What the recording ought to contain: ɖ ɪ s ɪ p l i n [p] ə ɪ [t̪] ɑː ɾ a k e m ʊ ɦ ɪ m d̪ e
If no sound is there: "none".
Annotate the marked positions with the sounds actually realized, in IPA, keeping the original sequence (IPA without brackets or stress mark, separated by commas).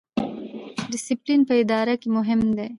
p, d̪